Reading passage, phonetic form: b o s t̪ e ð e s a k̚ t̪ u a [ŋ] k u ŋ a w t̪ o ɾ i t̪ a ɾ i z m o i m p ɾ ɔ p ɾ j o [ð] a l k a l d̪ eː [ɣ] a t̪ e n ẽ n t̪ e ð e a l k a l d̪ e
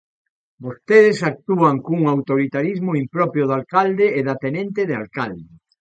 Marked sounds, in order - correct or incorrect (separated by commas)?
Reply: correct, correct, incorrect